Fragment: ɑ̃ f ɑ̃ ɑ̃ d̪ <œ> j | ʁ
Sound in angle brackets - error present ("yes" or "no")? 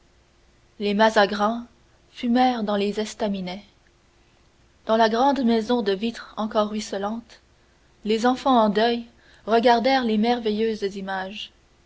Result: no